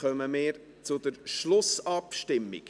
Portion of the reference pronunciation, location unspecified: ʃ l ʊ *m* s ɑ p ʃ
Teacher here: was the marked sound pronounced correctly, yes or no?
no